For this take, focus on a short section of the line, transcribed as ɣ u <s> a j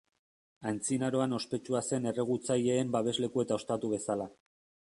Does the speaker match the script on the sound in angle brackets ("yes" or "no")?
no